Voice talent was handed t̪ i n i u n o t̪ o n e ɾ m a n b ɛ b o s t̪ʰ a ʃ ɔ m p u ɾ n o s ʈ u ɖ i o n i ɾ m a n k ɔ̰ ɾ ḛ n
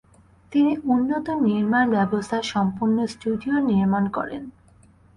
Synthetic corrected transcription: t̪ i n i u nː o t̪ o n i ɾ m a n b ɛ b o s t̪ʰ a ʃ ɔ m p u ɾ n o s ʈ u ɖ i o n i ɾ m a n k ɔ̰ ɾ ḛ n